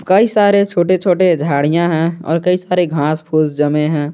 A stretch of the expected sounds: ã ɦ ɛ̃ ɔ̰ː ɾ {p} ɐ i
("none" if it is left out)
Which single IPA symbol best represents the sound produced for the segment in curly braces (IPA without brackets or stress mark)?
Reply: k